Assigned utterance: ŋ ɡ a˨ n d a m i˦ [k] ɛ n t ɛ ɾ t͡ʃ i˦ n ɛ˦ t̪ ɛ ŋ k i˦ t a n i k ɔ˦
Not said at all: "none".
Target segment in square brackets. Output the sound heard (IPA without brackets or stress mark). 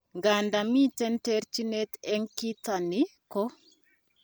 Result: t